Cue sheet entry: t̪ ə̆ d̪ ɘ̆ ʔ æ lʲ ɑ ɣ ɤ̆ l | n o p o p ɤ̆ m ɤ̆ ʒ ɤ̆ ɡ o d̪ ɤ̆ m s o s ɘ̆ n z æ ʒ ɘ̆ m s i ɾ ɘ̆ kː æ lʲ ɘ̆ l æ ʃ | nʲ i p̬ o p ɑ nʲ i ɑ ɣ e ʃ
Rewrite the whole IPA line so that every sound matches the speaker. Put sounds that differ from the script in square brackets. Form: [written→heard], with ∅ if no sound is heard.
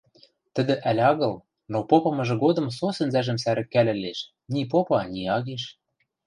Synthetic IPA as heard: t̪ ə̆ d̪ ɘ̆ ʔ æ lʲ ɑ ɣ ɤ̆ l | n o p o p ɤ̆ m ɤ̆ ʒ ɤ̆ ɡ o d̪ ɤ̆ m s o s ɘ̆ n z æ ʒ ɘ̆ m s [i→æ] ɾ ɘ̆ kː æ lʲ ɘ̆ l [æ→e] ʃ | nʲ i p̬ o p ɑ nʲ i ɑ ɣ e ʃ

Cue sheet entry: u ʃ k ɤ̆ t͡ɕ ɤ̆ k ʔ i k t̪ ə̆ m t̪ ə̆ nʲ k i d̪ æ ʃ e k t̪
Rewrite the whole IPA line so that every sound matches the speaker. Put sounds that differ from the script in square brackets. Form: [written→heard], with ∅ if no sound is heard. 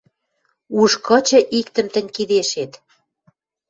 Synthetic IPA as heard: u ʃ k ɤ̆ t͡ɕ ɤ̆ [k→∅] ʔ i k t̪ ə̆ m t̪ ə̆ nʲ k i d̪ [æ→e] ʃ e [k→∅] t̪

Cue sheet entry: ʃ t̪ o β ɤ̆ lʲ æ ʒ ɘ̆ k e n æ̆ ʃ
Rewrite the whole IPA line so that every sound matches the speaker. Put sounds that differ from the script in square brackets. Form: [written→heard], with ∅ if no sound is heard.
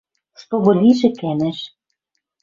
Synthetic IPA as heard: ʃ t̪ o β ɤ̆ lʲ [æ→i] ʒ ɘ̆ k [e→æ] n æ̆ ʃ

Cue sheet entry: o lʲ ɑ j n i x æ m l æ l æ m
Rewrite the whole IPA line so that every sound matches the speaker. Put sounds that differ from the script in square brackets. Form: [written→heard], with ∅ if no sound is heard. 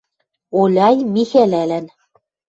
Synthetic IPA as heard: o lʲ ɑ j [n→m] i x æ [m→∅] l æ l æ [m→n]

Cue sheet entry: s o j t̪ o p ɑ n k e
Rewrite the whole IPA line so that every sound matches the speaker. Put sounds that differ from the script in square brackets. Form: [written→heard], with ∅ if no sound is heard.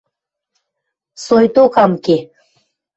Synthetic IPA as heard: s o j t̪ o [p→k] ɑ [n→m] k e

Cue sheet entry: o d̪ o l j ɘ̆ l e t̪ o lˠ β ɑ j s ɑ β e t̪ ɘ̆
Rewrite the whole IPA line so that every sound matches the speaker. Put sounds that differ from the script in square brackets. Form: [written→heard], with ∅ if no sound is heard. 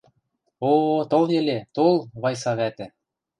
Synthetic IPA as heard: o [d̪→t̪] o l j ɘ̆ l e t̪ o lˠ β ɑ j s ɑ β [e→æ] t̪ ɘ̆

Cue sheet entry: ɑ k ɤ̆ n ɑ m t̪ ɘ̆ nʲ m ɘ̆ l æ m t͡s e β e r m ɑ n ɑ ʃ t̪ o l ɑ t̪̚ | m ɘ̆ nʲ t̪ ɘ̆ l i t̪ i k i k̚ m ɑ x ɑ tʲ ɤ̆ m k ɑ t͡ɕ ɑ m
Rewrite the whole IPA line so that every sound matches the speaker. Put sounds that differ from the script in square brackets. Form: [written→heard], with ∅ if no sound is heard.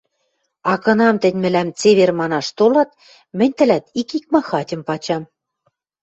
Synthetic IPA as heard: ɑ k ɤ̆ n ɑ m t̪ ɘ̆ nʲ m ɘ̆ l æ m t͡s e β e r m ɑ n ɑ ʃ t̪ o l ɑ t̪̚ | m ɘ̆ nʲ t̪ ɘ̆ l [i→æ] t̪ i k i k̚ m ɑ x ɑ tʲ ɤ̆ m [k→p] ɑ t͡ɕ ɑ m

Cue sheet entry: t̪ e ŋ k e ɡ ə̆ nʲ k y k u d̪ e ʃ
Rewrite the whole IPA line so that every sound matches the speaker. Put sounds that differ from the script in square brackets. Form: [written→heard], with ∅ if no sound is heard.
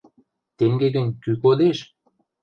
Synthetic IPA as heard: t̪ e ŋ [k→ɡ] e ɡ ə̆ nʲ k y k [u→o] d̪ e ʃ

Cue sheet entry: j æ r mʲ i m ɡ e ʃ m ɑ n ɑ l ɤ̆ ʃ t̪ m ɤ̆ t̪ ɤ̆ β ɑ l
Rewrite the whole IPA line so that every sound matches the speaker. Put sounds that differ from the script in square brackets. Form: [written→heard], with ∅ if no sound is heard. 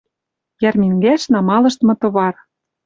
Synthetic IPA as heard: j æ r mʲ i [m→ŋ] ɡ [e→æ] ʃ [m→n] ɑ [n→m] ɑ l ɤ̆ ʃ t̪ m ɤ̆ t̪ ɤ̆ β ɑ [l→r]

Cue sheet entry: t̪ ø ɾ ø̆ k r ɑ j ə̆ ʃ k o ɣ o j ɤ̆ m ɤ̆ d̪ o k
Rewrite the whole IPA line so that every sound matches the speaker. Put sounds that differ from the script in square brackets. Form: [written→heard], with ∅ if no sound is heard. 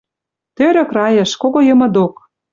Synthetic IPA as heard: t̪ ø ɾ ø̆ k r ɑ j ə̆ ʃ k o ɣ o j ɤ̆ m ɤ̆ d̪ o k

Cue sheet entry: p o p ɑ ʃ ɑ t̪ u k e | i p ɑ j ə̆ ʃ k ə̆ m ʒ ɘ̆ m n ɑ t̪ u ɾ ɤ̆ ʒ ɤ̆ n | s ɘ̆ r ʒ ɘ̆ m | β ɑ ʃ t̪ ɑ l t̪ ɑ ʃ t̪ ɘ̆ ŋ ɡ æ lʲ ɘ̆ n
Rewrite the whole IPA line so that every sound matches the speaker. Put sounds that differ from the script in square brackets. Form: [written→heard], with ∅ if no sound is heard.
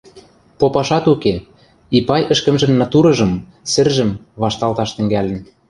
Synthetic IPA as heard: p o p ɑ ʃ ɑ t̪ u k e | i p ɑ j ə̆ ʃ k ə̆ m ʒ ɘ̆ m n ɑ t̪ u ɾ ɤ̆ ʒ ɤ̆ [n→m] | s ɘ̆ r ʒ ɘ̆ m | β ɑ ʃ t̪ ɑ l t̪ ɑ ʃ t̪ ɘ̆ ŋ ɡ æ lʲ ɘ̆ n

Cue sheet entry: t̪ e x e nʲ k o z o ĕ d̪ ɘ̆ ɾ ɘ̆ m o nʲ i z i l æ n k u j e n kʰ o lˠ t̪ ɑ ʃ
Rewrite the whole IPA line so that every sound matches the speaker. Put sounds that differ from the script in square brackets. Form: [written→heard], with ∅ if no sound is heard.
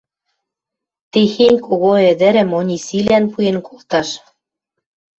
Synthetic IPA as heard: t̪ e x e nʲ k o [z→ɣ] o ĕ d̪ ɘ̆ ɾ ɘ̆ m o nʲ i [z→s] i l æ n [k→p] u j e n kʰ o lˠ t̪ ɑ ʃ

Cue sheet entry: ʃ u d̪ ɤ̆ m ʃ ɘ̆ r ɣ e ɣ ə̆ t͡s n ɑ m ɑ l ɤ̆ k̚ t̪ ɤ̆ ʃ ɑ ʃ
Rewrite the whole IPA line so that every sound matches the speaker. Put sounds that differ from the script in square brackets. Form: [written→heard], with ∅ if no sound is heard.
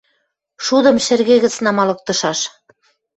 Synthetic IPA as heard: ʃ u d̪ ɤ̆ m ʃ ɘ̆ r ɣ e ɣ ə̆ t͡s n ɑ m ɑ l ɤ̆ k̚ t̪ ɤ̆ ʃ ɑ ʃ

